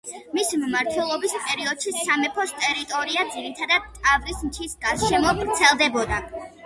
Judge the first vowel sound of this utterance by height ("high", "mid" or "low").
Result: high